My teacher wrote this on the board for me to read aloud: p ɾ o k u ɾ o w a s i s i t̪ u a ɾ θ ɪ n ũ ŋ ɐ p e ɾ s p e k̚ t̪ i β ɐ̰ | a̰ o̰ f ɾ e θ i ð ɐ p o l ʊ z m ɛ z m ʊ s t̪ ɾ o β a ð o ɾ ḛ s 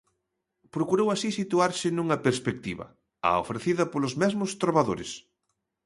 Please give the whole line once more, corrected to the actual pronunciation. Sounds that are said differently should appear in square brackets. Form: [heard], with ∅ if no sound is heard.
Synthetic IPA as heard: p ɾ o k u ɾ o w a s i s i t̪ u a ɾ [s] ɪ n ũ ŋ ɐ p e ɾ s p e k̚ t̪ i β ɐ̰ | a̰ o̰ f ɾ e θ i ð ɐ p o l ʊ z m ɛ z m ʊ s t̪ ɾ o β a ð o ɾ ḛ s